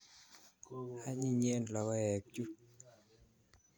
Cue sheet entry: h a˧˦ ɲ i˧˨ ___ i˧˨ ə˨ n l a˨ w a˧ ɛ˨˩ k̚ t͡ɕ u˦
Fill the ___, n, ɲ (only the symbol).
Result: ɲ